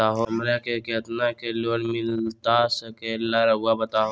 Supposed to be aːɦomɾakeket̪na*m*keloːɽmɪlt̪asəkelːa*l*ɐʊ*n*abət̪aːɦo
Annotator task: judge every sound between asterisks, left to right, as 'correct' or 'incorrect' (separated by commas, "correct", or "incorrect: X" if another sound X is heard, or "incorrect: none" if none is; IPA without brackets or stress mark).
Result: incorrect: none, incorrect: ɾ, incorrect: none